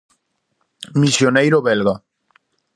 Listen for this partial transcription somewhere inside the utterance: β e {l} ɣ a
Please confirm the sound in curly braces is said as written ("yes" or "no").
yes